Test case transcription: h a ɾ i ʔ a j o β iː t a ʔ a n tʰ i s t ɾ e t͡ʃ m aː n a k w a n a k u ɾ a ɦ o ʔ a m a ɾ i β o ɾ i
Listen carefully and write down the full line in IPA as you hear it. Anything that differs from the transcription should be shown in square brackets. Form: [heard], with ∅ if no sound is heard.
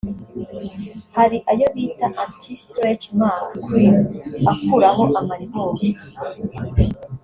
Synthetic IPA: h a ɾ i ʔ a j o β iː t a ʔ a n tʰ i s t ɾ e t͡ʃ m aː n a k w [i] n a k u ɾ a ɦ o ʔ a m a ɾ i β o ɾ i